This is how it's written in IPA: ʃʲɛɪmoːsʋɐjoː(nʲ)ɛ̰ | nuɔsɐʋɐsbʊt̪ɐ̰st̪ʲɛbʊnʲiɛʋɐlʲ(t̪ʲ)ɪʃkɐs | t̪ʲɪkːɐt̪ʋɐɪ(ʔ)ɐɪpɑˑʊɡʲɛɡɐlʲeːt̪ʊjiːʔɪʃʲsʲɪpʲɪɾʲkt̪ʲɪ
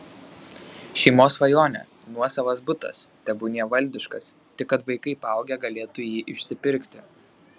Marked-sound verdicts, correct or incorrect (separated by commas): correct, incorrect, incorrect